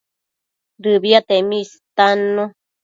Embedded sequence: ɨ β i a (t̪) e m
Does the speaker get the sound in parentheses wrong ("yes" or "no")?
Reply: no